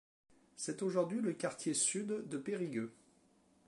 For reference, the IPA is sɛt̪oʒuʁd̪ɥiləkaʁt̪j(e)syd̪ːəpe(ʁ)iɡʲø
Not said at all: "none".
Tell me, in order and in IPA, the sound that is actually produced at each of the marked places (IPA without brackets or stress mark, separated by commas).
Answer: e, ʁ